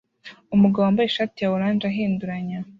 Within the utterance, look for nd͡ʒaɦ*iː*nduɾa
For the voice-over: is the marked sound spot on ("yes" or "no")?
yes